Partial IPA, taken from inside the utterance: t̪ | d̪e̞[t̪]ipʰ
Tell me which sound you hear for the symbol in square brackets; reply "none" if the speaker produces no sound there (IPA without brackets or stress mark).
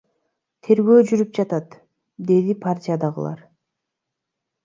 d̪